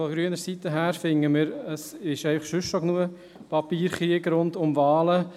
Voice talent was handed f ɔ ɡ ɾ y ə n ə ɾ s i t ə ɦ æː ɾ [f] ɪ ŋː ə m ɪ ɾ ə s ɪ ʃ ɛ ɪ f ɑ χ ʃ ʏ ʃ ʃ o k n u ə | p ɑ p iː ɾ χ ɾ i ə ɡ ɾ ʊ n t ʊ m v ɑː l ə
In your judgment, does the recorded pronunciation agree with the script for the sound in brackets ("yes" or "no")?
yes